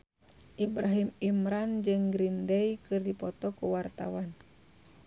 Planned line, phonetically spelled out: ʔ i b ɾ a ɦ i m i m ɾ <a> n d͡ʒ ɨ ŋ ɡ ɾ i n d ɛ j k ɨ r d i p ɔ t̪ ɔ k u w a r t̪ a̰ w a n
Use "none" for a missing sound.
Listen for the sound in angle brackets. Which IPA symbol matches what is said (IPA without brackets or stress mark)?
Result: a